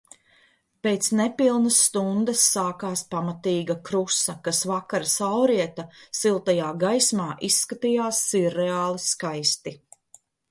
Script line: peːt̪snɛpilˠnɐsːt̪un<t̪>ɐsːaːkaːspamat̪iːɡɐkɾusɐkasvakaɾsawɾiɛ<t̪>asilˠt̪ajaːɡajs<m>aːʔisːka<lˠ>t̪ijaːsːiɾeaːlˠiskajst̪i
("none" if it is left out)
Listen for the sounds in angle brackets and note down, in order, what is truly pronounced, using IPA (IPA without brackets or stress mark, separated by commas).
d̪, t̪, m, none